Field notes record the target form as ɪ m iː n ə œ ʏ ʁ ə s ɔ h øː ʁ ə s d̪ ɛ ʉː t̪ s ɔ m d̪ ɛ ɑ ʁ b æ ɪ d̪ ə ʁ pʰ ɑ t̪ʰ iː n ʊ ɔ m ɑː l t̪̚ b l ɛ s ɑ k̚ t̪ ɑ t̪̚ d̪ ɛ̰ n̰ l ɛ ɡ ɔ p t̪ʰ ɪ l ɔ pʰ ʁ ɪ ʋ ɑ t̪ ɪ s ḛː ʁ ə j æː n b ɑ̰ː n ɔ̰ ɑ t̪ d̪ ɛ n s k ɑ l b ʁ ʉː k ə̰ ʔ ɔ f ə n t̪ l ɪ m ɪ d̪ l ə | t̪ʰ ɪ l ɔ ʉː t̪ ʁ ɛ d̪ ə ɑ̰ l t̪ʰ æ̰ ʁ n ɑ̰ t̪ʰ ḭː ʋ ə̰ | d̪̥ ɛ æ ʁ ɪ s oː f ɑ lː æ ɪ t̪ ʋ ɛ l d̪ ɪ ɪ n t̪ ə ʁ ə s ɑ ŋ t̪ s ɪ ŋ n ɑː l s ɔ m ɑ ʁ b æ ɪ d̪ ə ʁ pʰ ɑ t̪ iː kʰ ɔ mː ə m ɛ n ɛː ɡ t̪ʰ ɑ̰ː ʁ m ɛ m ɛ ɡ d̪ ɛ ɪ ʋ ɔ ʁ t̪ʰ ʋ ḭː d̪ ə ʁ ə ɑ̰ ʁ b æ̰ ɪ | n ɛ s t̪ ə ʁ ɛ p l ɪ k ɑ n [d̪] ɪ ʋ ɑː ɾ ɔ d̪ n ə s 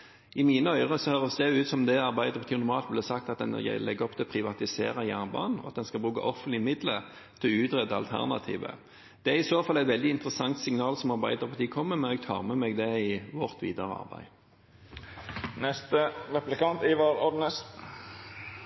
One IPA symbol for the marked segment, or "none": t̪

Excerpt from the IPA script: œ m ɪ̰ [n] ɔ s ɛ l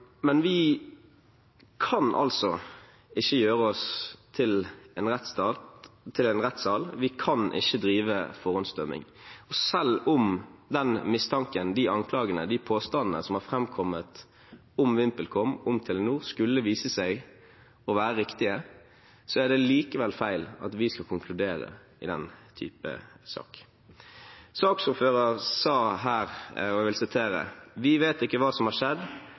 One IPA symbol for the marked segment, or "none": ŋ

